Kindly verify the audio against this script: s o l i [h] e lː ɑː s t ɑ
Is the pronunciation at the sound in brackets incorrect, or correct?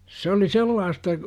incorrect